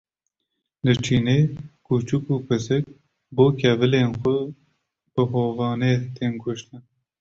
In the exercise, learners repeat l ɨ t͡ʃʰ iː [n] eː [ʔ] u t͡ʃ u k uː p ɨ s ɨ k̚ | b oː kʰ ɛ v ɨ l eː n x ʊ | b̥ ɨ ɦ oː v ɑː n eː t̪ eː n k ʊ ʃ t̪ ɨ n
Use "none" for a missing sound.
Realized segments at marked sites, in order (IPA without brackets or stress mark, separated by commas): n, k